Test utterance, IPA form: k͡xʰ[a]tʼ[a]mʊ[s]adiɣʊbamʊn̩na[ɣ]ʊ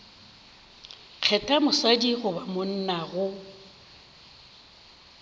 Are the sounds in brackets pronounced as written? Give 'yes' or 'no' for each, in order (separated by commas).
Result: no, yes, yes, yes